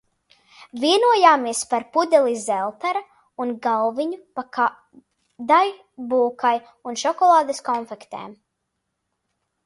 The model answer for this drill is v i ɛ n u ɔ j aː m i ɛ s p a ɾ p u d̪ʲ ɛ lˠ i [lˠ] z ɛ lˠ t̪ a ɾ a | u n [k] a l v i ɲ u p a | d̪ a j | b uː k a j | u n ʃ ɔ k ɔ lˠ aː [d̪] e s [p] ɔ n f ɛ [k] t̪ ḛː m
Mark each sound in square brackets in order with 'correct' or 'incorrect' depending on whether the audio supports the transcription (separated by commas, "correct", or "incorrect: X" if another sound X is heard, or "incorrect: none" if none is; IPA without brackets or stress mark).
incorrect: none, incorrect: ɡ, correct, incorrect: k, correct